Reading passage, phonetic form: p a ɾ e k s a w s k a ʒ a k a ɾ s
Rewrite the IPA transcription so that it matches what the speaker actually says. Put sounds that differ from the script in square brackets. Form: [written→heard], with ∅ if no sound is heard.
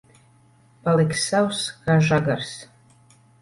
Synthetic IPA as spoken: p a [ɾ→l] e k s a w s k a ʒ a [k→ɡ] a [ɾ→r] s